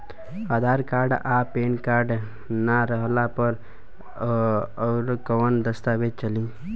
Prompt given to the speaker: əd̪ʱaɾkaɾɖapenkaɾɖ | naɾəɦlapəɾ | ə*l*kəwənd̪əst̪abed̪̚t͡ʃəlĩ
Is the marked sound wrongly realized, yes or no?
yes